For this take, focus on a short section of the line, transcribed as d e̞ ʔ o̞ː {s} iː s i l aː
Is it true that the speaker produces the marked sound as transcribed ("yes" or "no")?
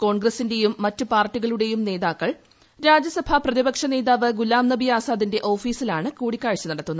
no